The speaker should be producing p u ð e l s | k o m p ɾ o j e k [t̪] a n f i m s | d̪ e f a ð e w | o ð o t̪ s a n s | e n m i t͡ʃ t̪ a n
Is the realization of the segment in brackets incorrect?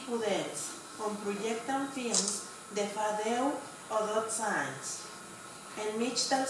no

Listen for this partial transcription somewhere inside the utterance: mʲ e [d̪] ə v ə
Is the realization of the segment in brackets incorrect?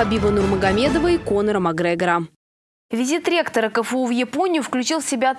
no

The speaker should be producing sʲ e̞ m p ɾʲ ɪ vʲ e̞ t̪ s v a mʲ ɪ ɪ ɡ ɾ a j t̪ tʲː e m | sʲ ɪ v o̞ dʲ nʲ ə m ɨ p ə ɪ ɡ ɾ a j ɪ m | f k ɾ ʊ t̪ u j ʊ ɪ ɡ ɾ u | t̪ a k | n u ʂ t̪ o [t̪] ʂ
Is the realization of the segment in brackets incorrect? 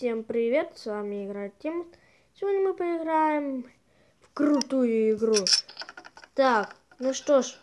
yes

